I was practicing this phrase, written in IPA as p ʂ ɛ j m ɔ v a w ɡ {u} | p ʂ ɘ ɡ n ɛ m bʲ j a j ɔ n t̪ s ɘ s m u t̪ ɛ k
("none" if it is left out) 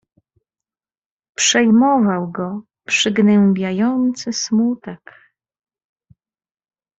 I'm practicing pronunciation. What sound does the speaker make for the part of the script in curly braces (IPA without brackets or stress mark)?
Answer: ɔ